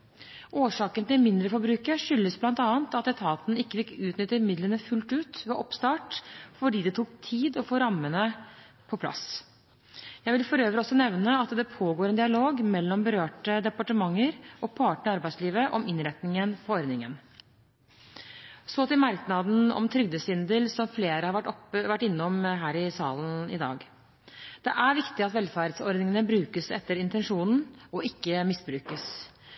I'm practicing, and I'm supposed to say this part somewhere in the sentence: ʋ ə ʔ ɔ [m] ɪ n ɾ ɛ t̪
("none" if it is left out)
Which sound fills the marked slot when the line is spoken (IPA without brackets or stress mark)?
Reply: m